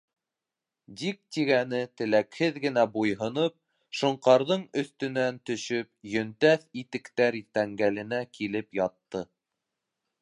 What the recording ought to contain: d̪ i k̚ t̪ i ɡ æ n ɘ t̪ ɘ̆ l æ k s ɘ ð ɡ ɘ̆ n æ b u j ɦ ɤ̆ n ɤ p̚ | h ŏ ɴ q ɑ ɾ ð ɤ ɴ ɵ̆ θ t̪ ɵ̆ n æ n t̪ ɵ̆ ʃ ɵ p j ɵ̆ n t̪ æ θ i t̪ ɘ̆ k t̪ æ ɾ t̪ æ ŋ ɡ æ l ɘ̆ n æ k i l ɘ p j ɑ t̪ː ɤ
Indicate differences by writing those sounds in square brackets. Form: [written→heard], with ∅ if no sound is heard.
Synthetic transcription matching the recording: d̪ i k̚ t̪ i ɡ æ n ɘ t̪ ɘ̆ l æ k [s→h] ɘ ð ɡ ɘ̆ n æ b u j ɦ ɤ̆ n ɤ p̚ | [h→ʃ] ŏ ɴ q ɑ ɾ ð ɤ ɴ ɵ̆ θ t̪ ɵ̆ n æ n t̪ ɵ̆ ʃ ɵ p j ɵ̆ n t̪ æ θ i t̪ ɘ̆ k t̪ æ ɾ t̪ æ ŋ ɡ æ l ɘ̆ n æ k i l ɘ p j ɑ t̪ː ɤ